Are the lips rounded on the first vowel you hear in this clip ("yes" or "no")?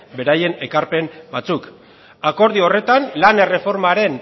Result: no